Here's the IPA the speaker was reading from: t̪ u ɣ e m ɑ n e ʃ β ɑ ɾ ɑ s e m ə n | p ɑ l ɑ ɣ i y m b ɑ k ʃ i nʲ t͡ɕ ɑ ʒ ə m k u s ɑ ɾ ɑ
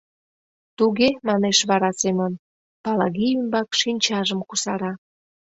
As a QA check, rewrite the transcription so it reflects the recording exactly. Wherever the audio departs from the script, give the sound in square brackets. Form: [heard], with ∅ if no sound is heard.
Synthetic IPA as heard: t̪ u ɣ e m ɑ n e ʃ β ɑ ɾ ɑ s e m ə n | p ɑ l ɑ ɣ i y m b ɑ k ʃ i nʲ t͡ɕ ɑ ʒ ə m k u s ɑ ɾ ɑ